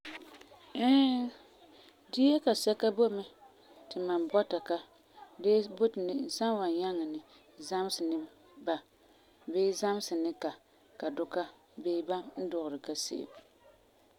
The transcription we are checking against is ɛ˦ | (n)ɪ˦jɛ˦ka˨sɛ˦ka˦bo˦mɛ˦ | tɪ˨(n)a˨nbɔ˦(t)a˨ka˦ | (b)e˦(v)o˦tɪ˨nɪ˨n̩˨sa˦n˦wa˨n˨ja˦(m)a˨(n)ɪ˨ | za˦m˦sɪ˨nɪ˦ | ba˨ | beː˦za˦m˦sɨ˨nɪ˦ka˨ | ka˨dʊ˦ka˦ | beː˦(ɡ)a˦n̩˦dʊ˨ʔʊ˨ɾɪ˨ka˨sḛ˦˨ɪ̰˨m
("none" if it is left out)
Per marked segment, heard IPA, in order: d, m, t, d, b, ŋ, n, b

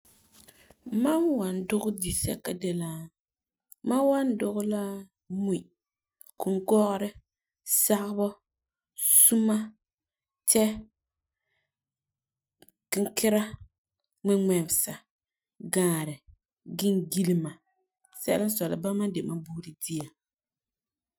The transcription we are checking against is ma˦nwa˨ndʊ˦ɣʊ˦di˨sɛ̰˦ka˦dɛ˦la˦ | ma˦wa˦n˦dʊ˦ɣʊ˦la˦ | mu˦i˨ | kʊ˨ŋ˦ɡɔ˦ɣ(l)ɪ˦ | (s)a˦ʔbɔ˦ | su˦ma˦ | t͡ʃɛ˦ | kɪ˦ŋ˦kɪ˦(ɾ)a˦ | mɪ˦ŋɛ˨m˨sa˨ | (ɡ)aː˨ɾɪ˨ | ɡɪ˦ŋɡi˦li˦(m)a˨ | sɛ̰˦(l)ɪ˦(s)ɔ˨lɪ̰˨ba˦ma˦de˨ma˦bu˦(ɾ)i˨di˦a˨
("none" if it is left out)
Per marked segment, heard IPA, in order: ɾ, s, ɾ, ɡ, m, l, s, ɾ

